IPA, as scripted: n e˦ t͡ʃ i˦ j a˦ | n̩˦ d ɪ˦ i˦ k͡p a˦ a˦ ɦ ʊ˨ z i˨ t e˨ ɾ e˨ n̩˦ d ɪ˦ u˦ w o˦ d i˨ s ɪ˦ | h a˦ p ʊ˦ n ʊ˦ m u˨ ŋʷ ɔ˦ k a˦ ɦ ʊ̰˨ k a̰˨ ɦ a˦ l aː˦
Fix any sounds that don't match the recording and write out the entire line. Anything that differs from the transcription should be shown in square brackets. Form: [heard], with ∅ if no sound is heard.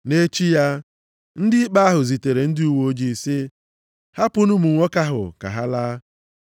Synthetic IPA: n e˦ t͡ʃ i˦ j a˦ | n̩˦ d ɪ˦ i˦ k͡p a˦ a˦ ɦ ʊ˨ z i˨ t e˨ ɾ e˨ n̩˦ d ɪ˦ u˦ w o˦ [d͡ʒ] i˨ s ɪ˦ | h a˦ p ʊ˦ n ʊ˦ m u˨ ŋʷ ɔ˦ k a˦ ɦ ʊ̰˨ k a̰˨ ɦ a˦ l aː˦